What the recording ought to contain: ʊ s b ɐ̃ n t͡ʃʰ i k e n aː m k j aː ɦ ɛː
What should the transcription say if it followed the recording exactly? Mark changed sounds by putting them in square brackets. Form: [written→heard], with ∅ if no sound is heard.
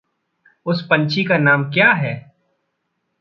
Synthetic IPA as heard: ʊ s [b→p] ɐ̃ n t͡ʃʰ i k [e→a] n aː m k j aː ɦ ɛː